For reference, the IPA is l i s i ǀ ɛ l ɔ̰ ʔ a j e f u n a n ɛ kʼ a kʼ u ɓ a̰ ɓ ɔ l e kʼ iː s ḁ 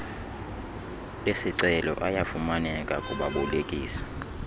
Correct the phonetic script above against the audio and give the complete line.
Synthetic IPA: l e s i ǀ ɛ l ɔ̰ ʔ a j a f u m a n ɛ kʼ a kʼ u ɓ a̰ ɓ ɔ l e kʼ iː s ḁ